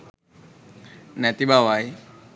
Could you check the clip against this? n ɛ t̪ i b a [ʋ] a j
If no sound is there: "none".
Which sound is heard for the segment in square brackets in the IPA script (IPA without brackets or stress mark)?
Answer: w